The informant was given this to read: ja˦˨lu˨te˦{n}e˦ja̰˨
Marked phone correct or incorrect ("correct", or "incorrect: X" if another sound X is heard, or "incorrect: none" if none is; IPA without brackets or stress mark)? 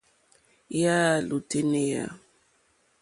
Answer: correct